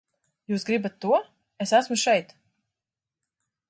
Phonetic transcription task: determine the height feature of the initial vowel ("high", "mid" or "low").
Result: high